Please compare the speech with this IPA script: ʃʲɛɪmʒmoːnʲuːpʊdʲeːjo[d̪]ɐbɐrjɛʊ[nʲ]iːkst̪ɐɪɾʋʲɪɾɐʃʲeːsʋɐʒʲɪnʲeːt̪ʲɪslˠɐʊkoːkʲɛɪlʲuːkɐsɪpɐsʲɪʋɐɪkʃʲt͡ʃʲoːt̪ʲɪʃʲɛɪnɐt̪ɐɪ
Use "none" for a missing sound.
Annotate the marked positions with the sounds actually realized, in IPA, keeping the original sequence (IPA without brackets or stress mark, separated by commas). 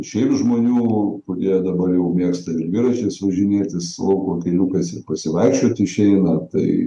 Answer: d̪, mʲ